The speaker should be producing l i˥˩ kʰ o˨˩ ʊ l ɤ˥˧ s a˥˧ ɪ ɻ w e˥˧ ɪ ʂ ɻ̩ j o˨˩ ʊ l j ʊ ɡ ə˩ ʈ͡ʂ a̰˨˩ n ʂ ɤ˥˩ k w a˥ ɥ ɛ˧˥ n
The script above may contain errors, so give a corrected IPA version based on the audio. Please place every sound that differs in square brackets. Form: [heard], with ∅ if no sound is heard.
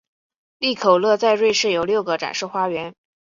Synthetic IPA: l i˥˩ kʰ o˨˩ ʊ l ɤ˥˧ [t͡s] a˥˧ ɪ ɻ w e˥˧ ɪ ʂ ɻ̩ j o˨˩ ʊ l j ʊ ɡ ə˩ ʈ͡ʂ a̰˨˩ n ʂ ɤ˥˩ [x] w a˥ ɥ ɛ˧˥ n